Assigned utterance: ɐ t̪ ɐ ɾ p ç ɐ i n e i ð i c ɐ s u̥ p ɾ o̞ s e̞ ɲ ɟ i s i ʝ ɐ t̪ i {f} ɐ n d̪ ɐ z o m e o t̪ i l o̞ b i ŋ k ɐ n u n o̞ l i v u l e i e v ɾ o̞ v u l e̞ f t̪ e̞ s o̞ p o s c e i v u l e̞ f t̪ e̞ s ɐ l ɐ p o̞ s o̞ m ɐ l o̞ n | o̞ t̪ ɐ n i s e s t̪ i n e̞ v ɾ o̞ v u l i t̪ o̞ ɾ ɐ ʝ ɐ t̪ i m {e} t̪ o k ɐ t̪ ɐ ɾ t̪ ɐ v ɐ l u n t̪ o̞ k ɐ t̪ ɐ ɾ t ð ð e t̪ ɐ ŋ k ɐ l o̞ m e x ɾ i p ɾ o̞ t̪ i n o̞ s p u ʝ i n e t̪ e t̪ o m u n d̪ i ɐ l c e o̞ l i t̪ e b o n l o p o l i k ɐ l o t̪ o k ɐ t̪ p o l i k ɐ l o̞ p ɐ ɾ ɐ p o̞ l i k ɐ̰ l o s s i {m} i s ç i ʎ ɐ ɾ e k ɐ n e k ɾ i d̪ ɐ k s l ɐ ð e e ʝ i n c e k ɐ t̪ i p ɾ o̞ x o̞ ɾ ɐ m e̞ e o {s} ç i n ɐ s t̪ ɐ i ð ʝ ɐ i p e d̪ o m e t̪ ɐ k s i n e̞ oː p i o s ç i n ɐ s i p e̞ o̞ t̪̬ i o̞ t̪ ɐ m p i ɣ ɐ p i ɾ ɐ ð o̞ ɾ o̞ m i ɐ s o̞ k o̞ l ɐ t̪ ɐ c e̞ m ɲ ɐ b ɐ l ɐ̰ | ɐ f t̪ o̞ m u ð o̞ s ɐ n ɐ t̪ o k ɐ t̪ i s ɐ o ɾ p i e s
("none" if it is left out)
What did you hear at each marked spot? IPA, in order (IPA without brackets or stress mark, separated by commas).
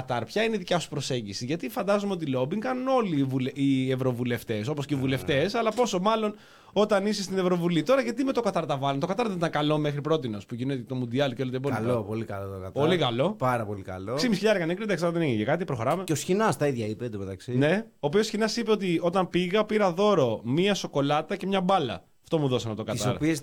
f, e, m, s